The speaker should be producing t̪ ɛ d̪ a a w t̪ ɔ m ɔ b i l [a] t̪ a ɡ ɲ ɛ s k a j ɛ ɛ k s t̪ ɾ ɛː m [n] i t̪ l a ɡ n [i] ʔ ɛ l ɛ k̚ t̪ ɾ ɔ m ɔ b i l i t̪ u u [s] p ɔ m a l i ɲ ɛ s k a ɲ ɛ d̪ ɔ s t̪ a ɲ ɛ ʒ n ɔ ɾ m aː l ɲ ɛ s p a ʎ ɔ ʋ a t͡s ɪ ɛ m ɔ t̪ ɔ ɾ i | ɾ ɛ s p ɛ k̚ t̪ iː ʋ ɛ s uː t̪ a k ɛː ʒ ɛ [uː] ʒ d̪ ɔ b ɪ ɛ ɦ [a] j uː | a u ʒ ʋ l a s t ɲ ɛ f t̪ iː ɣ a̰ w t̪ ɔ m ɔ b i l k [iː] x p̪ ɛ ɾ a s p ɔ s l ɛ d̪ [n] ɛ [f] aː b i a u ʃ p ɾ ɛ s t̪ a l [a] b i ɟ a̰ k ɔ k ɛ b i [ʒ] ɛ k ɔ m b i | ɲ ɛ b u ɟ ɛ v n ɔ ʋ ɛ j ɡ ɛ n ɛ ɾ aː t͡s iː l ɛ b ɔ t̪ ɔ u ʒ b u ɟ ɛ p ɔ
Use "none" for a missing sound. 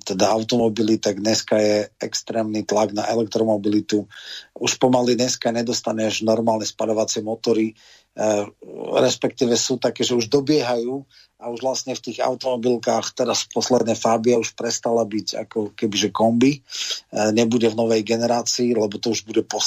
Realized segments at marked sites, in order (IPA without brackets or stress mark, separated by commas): i, n, a, ʃ, u, a, aː, n, f, a, ʒ